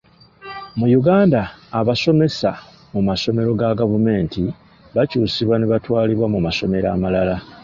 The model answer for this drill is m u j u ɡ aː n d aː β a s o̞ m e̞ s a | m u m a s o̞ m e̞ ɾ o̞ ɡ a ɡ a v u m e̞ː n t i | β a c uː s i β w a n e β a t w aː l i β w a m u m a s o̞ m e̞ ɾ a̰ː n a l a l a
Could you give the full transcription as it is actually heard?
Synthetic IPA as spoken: m u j u ɡ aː n d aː β a s o̞ m e̞ s a | m u m a s o̞ m e̞ ɾ o̞ ɡ a ɡ a v u m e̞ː n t i | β a c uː s i β w a n e β a t w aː l i β w a m u m a s o̞ m e̞ ɾ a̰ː m a l a l a